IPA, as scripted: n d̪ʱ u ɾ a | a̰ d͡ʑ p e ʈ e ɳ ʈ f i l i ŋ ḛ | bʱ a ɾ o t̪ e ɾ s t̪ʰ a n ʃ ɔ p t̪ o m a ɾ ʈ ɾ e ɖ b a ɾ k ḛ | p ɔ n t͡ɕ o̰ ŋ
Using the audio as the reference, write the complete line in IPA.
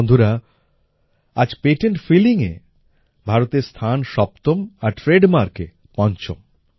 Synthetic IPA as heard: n d̪ʱ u ɾ a | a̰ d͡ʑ p e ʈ e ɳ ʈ f i l i ŋ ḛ | bʱ a ɾ o t̪ e ɾ s t̪ʰ a n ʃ ɔ p t̪ o m a ɾ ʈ ɾ e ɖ m a ɾ k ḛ | p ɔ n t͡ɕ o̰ m